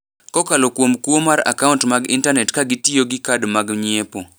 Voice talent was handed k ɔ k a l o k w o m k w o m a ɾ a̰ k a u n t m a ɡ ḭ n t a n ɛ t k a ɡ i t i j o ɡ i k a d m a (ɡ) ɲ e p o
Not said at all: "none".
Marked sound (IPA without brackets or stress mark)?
ɡ